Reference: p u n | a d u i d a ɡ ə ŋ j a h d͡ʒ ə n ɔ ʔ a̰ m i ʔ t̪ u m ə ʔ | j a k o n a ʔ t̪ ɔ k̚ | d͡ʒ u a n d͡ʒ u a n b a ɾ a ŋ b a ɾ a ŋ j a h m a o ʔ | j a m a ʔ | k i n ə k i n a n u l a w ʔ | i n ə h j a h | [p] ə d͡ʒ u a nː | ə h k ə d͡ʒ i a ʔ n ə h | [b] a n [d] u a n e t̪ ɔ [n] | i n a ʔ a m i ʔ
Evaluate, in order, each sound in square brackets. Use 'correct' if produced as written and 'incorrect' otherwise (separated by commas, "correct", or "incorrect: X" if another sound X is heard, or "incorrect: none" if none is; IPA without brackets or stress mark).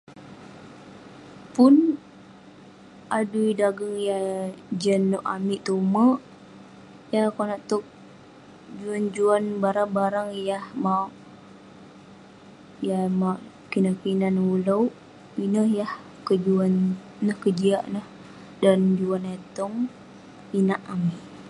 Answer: incorrect: k, incorrect: d, incorrect: d͡ʒ, incorrect: ŋ